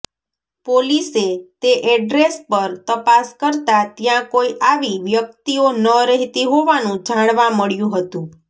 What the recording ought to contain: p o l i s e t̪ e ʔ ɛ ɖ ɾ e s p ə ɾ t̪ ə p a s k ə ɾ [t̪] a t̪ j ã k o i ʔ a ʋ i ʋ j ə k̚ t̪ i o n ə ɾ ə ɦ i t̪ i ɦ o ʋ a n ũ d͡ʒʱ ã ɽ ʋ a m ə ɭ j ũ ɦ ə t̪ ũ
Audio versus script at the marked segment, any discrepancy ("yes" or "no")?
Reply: no